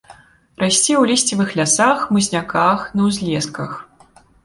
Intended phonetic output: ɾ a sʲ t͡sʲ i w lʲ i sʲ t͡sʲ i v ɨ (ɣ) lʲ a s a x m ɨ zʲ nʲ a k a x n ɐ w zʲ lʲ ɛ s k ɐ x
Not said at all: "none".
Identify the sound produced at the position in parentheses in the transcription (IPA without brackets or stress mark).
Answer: x